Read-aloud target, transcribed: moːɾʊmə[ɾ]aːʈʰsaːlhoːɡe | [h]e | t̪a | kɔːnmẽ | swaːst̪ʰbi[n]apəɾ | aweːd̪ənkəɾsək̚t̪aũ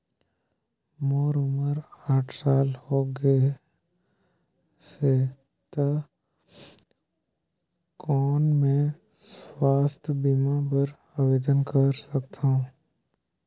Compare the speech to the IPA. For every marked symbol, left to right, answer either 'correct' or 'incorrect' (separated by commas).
correct, incorrect, incorrect